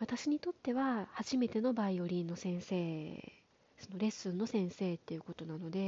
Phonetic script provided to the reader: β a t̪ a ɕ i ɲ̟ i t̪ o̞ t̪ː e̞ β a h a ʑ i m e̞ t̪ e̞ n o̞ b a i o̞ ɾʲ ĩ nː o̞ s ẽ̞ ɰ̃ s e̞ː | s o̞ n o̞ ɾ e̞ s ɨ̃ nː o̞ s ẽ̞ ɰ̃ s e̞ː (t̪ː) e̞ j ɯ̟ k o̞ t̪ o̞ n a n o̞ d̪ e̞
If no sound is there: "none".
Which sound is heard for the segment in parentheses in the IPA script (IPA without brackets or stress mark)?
t̪ː